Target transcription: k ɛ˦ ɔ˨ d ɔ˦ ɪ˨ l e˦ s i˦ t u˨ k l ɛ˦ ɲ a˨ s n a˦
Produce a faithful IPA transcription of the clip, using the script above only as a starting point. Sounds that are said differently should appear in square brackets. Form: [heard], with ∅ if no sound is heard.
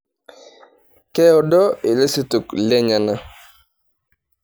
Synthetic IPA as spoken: k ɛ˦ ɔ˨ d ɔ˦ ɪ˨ l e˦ s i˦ t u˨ k l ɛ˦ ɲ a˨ [∅] n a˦